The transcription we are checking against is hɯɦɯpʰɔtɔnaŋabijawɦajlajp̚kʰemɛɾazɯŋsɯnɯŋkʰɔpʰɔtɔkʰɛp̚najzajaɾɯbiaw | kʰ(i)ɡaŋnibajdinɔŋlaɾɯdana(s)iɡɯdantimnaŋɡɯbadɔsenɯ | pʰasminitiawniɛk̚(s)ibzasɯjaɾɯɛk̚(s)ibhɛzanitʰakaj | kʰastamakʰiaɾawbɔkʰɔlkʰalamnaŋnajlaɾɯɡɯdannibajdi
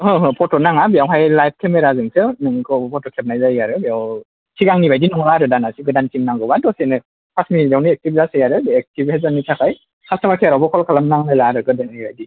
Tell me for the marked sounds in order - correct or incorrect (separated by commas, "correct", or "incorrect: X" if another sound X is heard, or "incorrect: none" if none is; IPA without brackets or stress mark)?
correct, correct, incorrect: t, incorrect: t